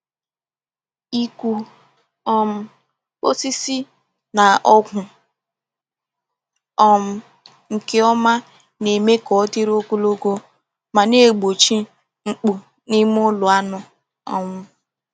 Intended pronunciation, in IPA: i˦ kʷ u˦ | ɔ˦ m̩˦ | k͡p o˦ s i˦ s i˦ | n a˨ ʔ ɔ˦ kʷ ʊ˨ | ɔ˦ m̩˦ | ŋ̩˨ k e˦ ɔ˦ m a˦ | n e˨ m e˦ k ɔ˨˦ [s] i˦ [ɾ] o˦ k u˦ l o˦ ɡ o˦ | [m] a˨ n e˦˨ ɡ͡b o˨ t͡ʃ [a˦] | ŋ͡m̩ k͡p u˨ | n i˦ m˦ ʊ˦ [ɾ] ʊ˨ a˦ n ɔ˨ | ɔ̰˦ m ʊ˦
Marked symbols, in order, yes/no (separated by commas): no, yes, yes, no, no